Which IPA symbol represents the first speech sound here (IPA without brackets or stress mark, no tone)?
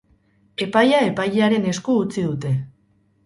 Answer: e̞